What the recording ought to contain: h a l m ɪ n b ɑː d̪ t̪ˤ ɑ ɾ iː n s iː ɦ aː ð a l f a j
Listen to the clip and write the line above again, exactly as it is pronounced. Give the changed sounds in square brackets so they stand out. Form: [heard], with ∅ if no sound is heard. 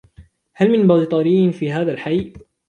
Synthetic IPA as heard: h a l m ɪ n b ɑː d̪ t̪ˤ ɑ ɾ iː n [f] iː ɦ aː ð a l [ħ] a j